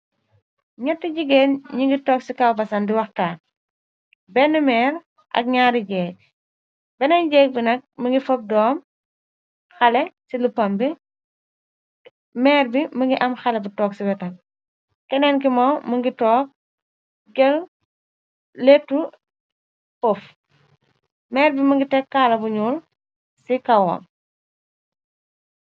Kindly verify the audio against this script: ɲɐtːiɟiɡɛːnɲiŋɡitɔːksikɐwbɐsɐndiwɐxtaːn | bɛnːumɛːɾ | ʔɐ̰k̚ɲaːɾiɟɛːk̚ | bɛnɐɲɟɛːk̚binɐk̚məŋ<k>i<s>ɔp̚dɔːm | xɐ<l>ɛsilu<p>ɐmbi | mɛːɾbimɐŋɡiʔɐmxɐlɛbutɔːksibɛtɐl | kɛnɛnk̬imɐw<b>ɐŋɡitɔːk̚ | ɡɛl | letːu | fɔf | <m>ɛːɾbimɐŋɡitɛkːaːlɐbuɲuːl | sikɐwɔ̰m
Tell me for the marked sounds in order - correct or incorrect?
incorrect: ɡ, incorrect: f, correct, correct, incorrect: m, correct

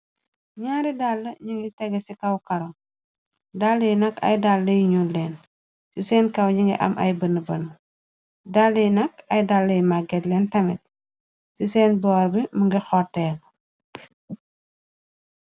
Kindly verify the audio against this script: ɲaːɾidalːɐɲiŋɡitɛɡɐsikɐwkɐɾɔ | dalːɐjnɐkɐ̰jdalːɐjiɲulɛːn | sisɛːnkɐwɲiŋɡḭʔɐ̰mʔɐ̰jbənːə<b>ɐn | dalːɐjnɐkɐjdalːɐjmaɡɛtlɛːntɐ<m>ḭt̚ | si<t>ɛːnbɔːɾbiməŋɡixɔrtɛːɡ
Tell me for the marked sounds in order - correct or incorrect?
correct, correct, incorrect: s

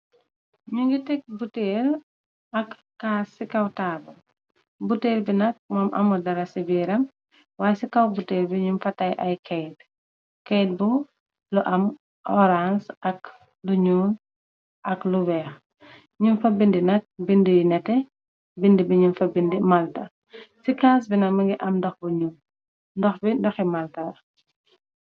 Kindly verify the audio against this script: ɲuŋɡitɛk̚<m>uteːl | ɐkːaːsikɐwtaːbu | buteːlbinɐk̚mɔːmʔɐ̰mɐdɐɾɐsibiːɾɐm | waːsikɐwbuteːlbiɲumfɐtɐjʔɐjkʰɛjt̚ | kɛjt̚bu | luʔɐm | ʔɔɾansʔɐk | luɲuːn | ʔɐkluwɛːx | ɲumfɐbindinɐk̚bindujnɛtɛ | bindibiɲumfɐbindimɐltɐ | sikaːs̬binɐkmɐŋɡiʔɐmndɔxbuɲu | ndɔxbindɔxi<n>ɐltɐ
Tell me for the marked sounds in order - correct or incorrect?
incorrect: b, incorrect: m

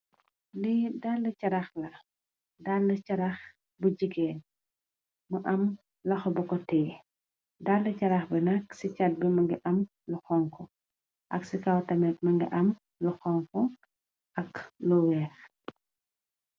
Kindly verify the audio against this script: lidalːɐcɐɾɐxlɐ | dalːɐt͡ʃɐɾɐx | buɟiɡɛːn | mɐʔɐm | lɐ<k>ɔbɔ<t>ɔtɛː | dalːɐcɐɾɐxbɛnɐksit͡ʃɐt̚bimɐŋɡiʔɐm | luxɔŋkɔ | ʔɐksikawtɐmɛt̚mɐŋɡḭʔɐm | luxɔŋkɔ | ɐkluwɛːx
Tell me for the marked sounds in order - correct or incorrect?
incorrect: x, incorrect: k

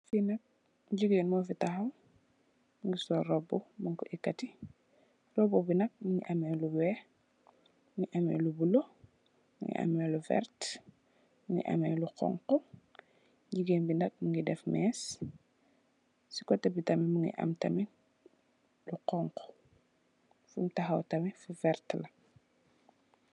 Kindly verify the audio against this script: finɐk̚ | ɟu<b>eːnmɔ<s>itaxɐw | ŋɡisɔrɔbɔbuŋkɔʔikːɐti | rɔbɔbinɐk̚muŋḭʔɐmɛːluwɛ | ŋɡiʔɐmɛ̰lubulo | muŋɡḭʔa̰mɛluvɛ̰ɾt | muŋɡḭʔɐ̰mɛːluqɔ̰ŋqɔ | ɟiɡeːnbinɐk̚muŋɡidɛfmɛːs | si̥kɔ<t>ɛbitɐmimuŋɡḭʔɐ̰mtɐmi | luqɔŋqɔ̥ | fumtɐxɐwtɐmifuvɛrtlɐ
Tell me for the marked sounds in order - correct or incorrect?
incorrect: ɡ, incorrect: f, correct

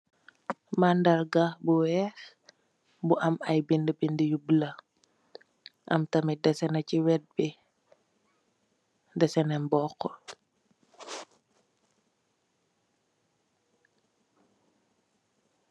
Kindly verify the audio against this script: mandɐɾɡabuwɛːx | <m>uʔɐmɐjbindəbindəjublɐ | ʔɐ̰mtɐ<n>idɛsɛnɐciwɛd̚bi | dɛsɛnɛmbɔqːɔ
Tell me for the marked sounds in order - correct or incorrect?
incorrect: b, incorrect: m

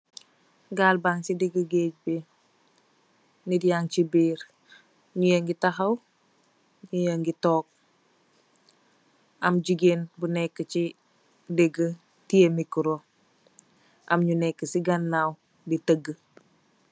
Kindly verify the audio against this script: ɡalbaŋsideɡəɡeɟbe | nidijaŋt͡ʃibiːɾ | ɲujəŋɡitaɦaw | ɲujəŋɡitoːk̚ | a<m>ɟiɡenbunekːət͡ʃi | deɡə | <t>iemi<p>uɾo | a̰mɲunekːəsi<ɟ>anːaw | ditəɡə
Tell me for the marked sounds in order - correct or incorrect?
correct, correct, incorrect: k, incorrect: ɡ

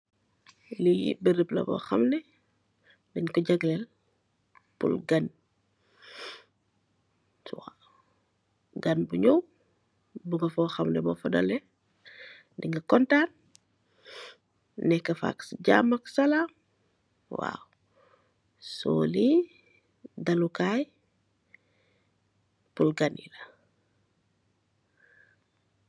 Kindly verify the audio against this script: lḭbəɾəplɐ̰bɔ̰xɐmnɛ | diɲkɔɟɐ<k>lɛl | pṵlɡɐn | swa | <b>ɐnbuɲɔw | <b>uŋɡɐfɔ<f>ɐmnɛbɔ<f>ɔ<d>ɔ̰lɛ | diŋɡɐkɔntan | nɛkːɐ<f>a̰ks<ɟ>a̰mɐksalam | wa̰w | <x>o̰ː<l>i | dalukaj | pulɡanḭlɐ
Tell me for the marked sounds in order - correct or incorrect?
incorrect: ɡ, incorrect: ɡ, correct, incorrect: x, correct, correct, correct, correct, incorrect: s, correct

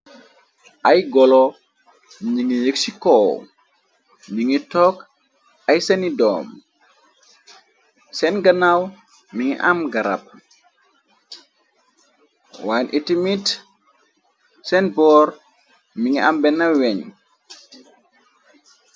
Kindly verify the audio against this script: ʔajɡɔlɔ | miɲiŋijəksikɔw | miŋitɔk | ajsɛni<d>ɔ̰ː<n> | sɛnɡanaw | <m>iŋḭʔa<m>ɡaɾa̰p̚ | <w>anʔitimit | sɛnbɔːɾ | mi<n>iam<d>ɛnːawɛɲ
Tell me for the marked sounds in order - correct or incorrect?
correct, incorrect: m, correct, correct, correct, incorrect: ŋ, incorrect: b

